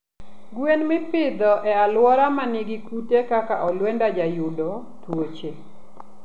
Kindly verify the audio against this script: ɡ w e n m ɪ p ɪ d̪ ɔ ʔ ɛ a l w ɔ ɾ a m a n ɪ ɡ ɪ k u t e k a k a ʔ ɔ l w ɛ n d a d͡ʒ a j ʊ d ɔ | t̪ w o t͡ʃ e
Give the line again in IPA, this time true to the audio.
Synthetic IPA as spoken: ɡ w e n m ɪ p ɪ d̪ ɔ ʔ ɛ a l w ɔ ɾ a m a n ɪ ɡ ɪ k u t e k a k a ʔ ɔ l w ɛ n d a d͡ʒ a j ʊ d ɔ | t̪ w o t͡ʃ e